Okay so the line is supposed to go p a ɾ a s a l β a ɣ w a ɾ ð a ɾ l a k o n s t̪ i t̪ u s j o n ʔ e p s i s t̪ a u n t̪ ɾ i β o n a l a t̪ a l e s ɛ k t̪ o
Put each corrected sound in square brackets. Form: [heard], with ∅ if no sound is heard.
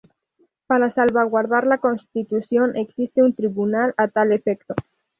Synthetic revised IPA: p a ɾ a s a l β a ɣ w a ɾ ð a ɾ l a k o n s t̪ i t̪ u s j o n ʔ e [k] s i s t̪ [e] u n t̪ ɾ i β [u] n a l a t̪ a l e [f] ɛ k t̪ o